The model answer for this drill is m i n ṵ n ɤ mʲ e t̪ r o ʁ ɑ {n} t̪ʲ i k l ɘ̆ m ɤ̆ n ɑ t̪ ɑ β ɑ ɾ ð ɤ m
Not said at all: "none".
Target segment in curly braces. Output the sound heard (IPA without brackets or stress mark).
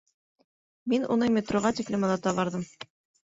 none